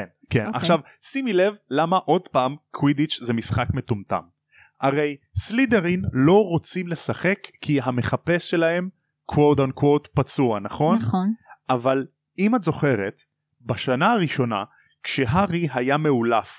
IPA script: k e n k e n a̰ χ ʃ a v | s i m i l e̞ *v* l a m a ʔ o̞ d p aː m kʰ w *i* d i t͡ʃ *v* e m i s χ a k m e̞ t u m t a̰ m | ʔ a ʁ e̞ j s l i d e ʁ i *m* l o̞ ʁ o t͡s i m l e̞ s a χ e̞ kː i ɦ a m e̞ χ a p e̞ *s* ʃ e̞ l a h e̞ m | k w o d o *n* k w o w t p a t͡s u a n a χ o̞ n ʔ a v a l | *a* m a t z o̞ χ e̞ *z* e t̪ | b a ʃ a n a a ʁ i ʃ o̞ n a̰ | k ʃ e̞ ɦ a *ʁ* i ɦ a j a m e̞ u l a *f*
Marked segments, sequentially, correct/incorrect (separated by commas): correct, correct, incorrect, incorrect, correct, correct, incorrect, incorrect, correct, correct